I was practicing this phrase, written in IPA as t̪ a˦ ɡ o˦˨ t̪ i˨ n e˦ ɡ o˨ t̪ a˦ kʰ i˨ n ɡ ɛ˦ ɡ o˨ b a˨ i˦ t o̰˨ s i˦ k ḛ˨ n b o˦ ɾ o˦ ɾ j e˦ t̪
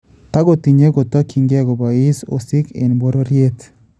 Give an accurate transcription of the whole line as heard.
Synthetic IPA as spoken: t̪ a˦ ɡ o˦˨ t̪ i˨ ɲ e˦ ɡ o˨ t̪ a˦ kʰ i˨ ŋ ɡ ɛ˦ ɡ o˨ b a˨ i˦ s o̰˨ s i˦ k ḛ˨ n b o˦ ɾ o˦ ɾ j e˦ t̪